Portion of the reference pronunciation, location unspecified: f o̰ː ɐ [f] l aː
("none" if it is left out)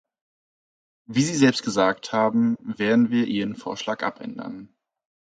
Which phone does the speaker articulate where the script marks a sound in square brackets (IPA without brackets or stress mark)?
ʃ